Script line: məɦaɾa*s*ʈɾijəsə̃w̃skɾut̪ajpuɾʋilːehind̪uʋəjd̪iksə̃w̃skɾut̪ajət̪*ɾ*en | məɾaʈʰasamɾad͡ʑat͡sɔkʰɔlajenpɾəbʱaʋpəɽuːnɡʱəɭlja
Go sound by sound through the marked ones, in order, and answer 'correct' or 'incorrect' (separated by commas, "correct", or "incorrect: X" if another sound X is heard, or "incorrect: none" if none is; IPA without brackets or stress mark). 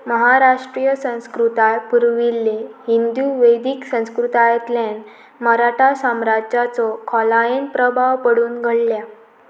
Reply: incorrect: ʂ, incorrect: l